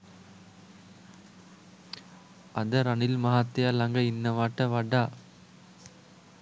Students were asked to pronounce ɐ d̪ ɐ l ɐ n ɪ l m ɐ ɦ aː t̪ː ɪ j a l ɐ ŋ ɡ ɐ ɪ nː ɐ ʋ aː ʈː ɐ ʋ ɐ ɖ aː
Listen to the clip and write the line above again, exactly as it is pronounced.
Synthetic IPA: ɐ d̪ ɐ ɾ ɐ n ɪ l m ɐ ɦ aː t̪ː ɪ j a l ɐ ŋ ɡ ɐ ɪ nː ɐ ʋ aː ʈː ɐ ʋ ɐ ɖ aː